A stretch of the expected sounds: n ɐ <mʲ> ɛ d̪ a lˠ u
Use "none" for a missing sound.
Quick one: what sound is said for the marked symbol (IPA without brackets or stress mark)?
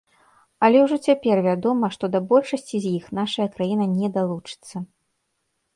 nʲ